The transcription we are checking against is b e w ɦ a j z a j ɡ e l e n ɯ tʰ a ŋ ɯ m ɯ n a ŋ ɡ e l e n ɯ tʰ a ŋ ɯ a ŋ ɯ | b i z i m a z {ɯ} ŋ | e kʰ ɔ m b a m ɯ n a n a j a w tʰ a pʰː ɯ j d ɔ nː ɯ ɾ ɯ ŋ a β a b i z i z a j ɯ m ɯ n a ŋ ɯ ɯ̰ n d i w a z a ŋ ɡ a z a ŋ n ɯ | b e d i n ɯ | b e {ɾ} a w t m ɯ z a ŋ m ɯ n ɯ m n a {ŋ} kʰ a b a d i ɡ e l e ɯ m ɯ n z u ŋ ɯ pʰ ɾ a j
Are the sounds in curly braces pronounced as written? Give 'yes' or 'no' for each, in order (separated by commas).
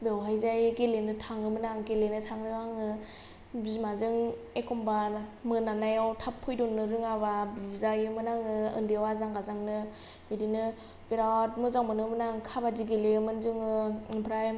yes, yes, yes